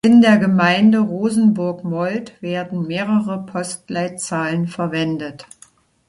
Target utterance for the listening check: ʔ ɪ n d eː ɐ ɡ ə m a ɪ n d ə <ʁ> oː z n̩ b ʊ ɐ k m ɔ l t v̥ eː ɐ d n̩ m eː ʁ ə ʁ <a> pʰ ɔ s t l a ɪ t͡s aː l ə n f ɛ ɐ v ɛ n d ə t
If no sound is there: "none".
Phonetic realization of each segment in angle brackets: ʁ, ə

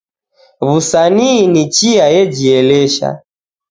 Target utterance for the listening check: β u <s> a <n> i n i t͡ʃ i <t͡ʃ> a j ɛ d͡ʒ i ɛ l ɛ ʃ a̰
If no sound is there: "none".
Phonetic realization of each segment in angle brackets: s, n, none

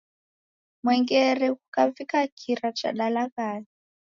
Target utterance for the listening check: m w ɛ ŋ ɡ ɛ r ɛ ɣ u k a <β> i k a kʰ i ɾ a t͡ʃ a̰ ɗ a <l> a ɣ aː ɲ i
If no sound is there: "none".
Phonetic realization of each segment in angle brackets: v, l

